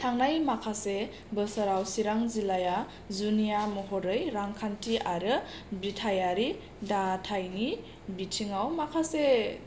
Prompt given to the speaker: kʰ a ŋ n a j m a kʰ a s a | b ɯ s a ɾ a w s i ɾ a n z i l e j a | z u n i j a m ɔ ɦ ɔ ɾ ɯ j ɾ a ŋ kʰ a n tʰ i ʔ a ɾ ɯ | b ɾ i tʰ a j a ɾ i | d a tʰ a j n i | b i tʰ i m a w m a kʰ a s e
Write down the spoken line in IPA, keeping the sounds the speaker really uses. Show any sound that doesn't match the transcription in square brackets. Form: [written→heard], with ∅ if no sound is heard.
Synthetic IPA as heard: [kʰ→tʰ] a ŋ n a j m a kʰ a s [a→e] | b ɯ s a ɾ a w s i ɾ a [n→ŋ] z i l [e→a] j a | z u n i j a m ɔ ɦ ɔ ɾ ɯ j ɾ a ŋ kʰ a n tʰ i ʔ a ɾ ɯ | b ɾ i tʰ a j a ɾ i | d a tʰ a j n i | b i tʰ i [m→ŋ] a w m a kʰ a s e